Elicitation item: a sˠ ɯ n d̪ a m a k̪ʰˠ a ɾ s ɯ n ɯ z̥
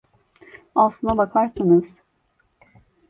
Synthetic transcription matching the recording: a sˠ ɯ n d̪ a b a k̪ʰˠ a ɾ s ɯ n ɯ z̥